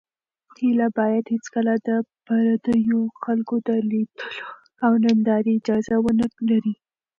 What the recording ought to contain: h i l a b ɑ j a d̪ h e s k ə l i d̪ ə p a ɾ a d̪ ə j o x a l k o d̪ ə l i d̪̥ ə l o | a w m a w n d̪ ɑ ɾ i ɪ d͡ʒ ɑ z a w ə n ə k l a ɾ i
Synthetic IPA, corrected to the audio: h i l a b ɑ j a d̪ h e t͡s k ə l a d̪ ə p a ɾ a d̪ ə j o x a l k o d̪ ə l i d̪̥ ə l o | a w n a n d̪ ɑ ɾ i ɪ d͡ʒ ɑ z a w ə n ə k l a ɾ i